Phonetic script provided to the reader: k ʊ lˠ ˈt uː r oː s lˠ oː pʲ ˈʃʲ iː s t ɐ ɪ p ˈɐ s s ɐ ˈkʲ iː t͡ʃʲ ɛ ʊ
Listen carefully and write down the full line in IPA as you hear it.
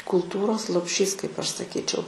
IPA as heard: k ʊ lˠ ˈt uː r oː s lˠ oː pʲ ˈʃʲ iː s k ɐ ɪ p ˈɐ ʃ s ɐ ˈkʲ iː t͡ʃʲ ɛ ʊ